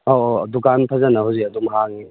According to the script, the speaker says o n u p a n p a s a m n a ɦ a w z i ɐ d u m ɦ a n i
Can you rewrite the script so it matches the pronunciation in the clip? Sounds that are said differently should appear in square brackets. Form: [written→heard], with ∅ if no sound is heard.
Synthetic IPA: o [n→d] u [p→k] a n [p→pʰ] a [s→z] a [m→∅] n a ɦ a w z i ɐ d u m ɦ a [n→ŋ] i